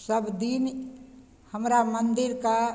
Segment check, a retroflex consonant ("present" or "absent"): absent